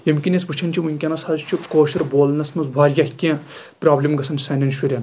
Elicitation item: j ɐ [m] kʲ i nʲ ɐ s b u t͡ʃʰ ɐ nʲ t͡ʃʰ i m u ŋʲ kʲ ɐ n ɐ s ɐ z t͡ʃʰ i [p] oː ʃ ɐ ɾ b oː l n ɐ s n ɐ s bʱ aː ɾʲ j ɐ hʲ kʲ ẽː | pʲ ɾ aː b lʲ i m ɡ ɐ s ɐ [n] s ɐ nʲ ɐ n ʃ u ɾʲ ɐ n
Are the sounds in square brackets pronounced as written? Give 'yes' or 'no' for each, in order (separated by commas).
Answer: yes, no, yes